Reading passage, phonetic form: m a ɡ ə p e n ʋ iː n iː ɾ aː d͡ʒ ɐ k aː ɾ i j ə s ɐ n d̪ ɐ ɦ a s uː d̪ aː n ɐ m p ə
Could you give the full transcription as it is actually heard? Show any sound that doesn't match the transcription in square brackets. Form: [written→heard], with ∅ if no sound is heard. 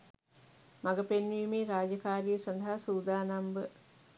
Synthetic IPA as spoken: m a ɡ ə p e n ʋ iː [n→m] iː ɾ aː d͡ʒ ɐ k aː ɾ i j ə s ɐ n d̪ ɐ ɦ a s uː d̪ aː n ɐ m [p→b] ə